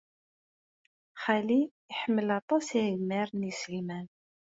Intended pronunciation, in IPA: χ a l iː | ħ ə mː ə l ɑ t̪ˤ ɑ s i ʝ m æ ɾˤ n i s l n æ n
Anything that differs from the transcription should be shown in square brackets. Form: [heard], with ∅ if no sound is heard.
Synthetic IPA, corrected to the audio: χ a l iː | ħ ə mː ə l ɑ t̪ˤ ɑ s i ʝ m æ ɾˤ n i s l [m] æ n